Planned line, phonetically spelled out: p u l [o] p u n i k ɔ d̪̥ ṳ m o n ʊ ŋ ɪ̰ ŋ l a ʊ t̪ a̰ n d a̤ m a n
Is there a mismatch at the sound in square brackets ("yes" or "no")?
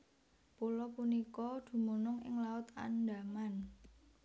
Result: yes